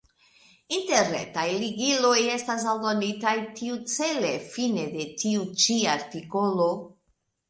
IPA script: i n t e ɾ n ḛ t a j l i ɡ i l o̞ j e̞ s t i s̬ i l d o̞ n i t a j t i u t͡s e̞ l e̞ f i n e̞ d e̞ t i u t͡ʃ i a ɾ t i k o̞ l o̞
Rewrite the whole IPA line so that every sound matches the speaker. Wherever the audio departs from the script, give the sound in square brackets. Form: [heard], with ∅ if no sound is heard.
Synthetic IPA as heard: i n t e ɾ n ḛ t a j l i ɡ i l o̞ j e̞ s t [a] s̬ [a] l d o̞ n i t a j t i u t͡s e̞ l e̞ f i n e̞ d e̞ t i u t͡ʃ i a ɾ t i k o̞ l o̞